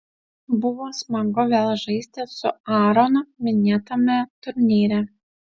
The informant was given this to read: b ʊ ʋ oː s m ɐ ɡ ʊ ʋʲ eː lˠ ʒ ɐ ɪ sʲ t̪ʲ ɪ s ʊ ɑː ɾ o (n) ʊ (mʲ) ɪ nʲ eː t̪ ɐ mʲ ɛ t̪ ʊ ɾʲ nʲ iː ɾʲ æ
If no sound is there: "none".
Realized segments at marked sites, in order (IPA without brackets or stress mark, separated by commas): n, mʲ